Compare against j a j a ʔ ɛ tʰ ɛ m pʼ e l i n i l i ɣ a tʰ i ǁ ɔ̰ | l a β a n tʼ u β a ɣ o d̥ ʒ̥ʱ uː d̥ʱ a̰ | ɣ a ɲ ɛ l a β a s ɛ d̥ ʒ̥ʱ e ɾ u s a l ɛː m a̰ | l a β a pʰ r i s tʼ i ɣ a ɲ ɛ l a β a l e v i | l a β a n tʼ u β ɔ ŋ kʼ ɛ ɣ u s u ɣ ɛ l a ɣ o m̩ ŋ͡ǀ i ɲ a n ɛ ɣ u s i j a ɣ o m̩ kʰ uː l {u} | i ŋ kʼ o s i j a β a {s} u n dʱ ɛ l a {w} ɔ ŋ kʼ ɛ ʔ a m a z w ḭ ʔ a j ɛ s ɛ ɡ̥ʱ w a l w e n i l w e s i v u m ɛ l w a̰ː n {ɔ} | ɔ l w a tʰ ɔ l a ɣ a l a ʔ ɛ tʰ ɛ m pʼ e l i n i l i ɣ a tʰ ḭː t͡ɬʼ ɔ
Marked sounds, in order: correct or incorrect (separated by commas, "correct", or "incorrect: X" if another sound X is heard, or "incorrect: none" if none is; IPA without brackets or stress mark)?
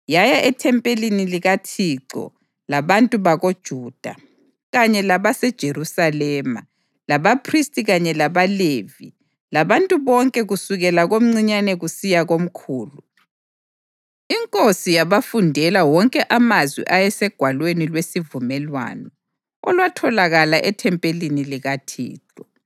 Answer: correct, incorrect: f, correct, correct